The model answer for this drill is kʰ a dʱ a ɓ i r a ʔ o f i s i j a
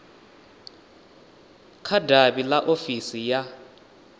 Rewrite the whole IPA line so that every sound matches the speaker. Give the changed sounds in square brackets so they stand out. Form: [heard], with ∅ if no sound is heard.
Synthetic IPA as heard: kʰ a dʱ a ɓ i [l] a ʔ o f i s i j a